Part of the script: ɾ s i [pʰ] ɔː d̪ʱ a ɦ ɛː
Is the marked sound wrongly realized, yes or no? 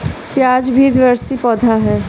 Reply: yes